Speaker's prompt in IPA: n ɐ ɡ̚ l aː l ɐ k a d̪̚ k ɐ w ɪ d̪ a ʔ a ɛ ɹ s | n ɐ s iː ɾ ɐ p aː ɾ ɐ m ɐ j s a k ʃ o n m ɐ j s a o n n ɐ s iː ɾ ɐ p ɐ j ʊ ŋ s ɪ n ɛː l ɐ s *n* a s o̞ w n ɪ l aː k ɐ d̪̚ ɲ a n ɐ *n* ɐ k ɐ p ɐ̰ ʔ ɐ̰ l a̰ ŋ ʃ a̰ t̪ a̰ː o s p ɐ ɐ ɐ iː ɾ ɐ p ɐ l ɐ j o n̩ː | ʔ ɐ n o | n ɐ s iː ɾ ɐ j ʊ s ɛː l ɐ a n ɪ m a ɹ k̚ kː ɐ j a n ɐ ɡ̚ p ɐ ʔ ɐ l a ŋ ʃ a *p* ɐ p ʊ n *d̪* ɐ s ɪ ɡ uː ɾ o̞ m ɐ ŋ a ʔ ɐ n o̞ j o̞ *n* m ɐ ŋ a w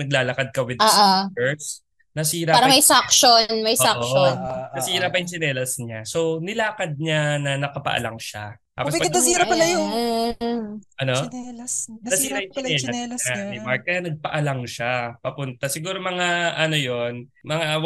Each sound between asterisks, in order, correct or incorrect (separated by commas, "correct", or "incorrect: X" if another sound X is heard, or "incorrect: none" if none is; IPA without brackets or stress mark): incorrect: ɲ, correct, correct, incorrect: t̪, correct